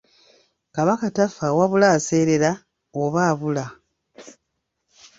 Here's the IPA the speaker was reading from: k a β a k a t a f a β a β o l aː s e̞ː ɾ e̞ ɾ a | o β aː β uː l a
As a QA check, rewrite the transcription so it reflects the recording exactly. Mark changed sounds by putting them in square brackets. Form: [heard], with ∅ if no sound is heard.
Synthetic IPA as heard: k a β a k a t a f a [w] a β [u] l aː s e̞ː ɾ e̞ ɾ a | o β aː β [u] l a